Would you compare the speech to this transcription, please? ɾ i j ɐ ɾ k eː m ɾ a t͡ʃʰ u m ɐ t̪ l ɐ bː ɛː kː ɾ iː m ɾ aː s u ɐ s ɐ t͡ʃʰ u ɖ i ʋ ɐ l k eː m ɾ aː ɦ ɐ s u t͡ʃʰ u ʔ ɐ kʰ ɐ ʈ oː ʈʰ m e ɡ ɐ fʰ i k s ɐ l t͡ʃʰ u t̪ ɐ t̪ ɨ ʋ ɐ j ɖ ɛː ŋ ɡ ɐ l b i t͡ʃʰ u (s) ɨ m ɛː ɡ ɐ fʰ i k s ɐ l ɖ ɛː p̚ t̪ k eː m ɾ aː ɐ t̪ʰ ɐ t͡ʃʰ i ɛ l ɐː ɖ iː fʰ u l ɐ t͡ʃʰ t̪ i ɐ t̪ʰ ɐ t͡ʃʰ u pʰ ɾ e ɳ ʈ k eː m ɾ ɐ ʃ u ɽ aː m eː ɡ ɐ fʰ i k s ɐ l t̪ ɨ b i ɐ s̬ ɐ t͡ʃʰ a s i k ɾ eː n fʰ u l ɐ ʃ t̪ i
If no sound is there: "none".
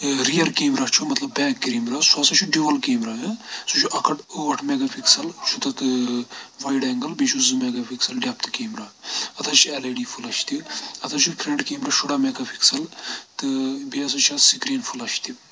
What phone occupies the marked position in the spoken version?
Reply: z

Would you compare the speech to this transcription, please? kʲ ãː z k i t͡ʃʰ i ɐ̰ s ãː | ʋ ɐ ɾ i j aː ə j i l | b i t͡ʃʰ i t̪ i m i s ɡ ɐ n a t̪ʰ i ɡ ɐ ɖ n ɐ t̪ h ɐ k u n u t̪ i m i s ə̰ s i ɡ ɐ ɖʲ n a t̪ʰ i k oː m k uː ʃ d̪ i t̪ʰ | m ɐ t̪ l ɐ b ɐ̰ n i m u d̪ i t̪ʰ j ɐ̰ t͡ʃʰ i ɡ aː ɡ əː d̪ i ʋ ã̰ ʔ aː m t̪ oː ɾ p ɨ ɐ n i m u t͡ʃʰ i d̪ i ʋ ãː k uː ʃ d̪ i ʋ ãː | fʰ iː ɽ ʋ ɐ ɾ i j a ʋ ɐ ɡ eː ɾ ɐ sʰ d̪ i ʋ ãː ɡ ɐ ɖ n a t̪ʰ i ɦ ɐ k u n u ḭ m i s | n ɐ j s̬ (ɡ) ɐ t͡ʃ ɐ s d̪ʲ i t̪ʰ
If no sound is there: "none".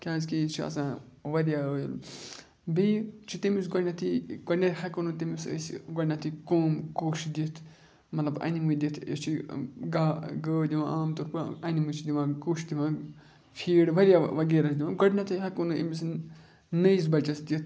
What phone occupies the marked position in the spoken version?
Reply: b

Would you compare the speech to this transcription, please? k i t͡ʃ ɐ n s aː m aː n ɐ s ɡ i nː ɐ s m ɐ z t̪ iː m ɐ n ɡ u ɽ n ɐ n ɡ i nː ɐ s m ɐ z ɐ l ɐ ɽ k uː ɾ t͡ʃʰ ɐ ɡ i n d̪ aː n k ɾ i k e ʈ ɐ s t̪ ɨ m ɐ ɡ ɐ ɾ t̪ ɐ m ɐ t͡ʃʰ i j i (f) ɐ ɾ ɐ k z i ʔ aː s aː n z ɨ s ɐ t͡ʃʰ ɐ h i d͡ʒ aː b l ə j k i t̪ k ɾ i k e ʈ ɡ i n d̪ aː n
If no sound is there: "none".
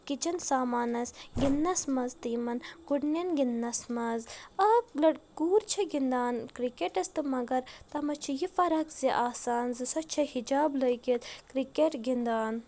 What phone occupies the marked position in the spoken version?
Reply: f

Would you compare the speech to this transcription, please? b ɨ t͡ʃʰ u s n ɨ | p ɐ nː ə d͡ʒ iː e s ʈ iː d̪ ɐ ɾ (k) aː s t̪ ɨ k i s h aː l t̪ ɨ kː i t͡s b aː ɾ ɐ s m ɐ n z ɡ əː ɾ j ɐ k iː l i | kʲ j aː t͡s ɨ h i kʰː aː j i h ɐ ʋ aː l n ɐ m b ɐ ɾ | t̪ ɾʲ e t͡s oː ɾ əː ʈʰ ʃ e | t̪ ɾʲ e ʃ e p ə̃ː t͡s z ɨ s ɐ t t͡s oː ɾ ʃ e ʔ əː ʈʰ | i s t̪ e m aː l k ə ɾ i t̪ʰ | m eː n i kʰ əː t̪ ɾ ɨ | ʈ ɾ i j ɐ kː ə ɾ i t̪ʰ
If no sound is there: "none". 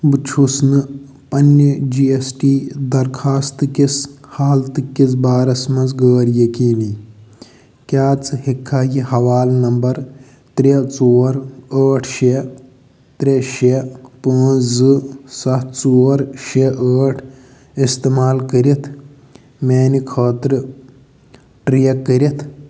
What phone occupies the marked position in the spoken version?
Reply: kʰ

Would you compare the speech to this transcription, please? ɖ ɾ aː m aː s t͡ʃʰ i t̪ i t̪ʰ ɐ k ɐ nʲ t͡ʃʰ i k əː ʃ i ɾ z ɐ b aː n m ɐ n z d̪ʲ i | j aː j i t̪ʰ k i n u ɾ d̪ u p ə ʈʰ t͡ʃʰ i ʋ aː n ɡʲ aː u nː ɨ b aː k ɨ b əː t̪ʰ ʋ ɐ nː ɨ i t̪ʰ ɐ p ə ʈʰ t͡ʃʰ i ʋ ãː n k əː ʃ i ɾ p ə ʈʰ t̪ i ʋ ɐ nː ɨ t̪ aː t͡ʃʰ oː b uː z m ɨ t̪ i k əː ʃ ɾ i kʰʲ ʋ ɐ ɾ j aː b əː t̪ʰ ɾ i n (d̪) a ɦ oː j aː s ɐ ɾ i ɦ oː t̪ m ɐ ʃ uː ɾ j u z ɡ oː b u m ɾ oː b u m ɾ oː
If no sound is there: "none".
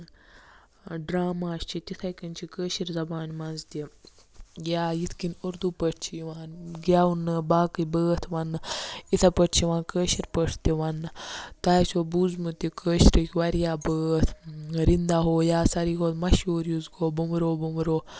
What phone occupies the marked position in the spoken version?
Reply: d̪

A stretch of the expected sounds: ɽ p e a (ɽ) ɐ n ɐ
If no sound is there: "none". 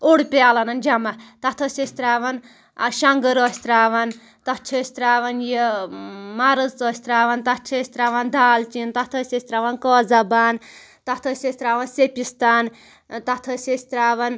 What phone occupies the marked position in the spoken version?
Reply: l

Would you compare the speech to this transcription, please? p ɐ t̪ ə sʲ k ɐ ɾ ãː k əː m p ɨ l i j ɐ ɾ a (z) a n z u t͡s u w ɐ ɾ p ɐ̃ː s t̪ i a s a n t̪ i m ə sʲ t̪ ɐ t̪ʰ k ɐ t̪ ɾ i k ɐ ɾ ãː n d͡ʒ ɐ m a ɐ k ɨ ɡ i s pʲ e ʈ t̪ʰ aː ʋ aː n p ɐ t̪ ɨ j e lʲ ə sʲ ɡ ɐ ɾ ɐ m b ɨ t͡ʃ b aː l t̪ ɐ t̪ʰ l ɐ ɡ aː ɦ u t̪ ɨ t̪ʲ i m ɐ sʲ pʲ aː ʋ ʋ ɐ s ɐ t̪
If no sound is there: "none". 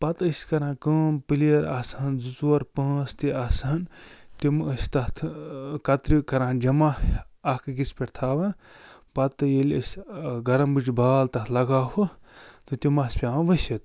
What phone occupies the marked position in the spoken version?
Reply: s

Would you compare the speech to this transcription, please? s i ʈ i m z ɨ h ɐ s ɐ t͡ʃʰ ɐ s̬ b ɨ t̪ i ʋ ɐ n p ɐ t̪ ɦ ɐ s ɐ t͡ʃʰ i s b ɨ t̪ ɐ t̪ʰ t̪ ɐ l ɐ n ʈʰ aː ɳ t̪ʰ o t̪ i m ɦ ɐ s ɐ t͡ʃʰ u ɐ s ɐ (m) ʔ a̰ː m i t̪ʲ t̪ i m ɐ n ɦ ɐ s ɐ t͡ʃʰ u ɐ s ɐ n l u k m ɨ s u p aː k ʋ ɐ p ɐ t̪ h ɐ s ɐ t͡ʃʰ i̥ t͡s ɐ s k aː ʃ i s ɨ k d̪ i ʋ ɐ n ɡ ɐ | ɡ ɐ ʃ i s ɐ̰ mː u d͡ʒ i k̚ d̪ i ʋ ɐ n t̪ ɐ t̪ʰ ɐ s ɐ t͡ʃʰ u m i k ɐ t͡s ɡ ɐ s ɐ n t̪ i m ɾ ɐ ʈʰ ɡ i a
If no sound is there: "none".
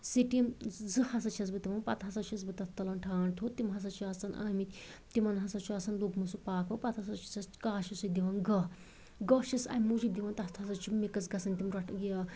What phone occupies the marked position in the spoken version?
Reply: n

